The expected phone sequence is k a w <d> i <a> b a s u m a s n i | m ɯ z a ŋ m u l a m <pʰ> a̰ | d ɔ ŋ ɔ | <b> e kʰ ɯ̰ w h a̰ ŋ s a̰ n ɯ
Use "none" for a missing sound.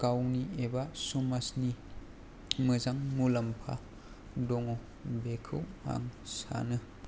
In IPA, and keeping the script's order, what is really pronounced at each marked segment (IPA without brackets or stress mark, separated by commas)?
n, e, pʰ, b